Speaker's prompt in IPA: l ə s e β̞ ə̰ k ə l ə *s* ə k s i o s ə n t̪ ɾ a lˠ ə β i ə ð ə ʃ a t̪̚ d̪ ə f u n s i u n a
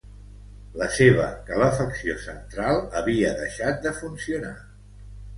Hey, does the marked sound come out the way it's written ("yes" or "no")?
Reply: no